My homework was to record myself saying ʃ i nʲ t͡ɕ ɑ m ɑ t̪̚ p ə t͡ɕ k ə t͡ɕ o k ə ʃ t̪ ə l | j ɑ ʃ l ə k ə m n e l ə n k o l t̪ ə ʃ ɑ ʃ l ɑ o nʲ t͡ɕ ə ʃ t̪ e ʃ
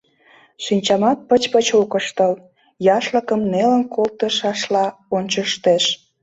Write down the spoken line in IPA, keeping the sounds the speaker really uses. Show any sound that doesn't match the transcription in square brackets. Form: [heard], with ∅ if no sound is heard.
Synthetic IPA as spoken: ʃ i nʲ t͡ɕ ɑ m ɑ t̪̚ p ə t͡ɕ [p] ə t͡ɕ o k ə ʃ t̪ ə l | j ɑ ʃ l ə k ə m n e l ə n k o l t̪ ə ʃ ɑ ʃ l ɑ o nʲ t͡ɕ ə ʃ t̪ e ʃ